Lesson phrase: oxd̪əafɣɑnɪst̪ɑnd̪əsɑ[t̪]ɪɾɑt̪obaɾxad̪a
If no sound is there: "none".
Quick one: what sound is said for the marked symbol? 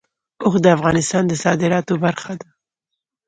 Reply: d̪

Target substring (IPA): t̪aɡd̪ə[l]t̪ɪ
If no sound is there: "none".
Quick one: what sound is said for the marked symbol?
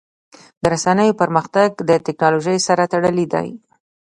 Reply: none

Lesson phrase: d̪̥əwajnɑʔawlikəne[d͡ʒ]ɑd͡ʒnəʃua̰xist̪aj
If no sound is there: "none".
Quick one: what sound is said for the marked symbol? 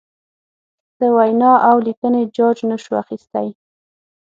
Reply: d͡ʒ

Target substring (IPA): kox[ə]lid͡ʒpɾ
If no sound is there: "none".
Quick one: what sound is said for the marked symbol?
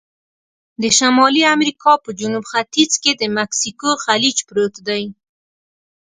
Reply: a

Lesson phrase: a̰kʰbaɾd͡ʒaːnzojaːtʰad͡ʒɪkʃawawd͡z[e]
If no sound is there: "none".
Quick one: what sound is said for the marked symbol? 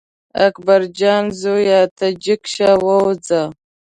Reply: a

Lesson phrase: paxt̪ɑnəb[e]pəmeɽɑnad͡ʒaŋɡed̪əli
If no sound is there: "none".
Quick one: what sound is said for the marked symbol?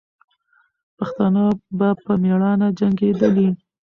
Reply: a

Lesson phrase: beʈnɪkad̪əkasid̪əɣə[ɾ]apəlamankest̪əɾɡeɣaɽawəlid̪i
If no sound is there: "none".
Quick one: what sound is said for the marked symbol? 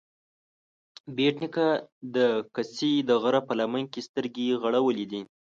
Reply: ɾ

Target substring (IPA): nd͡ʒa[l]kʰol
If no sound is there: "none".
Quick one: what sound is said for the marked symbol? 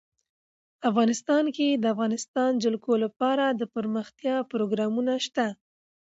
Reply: l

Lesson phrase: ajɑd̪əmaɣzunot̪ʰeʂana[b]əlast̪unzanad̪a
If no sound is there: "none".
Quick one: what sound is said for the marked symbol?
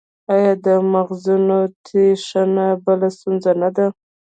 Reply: b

